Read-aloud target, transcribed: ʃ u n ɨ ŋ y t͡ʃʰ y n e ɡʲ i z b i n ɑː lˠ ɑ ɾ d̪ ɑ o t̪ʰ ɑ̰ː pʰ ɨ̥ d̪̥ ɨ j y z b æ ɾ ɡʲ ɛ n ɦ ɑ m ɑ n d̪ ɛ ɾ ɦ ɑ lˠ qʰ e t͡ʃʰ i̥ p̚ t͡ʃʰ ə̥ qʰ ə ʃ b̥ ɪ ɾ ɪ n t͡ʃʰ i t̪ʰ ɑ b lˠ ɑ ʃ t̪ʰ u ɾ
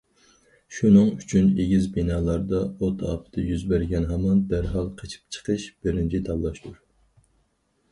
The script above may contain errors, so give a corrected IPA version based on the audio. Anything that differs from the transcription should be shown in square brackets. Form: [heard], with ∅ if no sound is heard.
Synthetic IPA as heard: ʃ u n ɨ ŋ y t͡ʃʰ y n e ɡʲ i z b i n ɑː lˠ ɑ ɾ d̪ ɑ o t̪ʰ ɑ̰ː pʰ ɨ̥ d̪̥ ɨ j y z b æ ɾ ɡʲ ɛ n ɦ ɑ m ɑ n d̪ [æ] ɾ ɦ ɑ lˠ qʰ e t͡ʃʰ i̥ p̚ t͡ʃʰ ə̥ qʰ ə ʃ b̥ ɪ ɾ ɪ n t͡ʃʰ i t̪ʰ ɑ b lˠ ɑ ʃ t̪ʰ u ɾ